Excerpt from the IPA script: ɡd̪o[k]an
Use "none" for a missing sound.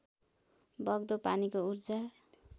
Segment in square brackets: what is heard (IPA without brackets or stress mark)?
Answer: p